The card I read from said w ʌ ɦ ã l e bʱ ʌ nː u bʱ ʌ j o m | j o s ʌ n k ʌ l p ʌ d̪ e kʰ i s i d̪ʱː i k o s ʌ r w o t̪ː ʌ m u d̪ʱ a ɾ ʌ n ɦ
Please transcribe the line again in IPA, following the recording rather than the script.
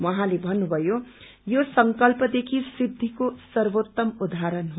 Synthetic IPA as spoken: w ʌ ɦ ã l e bʱ ʌ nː u bʱ ʌ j o | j o s ʌ ŋ k ʌ l p ʌ d̪ e kʰ i s i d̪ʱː i k o s ʌ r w o t̪ː ʌ m u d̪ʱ a ɾ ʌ n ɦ